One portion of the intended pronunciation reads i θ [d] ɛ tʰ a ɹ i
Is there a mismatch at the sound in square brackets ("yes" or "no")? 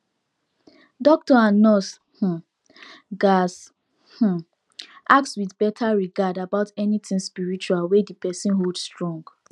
yes